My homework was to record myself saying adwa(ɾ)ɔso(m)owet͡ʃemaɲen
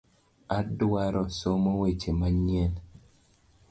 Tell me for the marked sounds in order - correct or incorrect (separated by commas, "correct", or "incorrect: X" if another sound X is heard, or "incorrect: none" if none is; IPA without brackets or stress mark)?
correct, correct